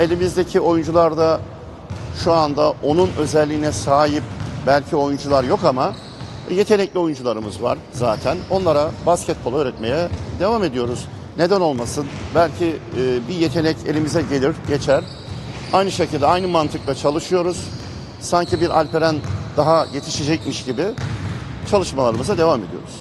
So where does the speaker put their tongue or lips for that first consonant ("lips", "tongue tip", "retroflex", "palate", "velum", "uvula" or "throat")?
tongue tip